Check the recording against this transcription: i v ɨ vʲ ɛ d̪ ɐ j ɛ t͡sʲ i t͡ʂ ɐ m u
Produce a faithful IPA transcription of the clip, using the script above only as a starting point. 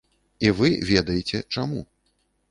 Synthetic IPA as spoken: i v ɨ vʲ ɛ d̪ ɐ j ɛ t͡sʲ ɛ t͡ʂ a m u